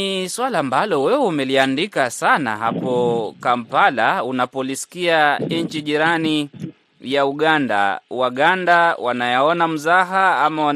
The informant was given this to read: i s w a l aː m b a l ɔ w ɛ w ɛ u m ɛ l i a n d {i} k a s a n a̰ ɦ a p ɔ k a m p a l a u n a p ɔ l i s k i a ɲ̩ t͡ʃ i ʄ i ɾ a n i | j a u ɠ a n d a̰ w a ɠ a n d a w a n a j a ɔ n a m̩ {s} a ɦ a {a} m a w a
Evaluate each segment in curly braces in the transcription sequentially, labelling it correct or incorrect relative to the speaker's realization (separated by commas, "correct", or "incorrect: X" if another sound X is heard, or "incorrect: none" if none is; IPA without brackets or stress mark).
correct, incorrect: z, correct